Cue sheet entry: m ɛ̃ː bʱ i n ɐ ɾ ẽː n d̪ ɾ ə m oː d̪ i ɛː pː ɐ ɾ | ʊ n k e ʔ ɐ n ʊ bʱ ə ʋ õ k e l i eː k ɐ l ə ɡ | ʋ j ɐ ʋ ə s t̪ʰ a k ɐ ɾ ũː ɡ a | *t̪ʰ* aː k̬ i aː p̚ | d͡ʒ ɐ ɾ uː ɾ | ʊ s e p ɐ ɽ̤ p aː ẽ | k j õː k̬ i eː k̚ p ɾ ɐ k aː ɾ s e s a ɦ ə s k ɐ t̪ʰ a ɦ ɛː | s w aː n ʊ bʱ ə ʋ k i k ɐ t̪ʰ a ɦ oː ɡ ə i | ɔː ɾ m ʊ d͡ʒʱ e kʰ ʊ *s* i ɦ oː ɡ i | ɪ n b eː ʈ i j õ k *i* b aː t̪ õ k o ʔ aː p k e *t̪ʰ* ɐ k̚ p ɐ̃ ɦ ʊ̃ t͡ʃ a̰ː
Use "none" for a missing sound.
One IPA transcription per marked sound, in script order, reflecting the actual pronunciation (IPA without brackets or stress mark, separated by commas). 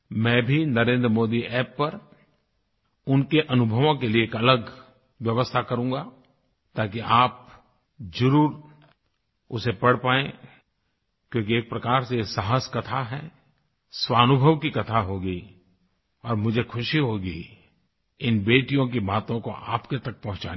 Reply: t̪, ʃ, i, t̪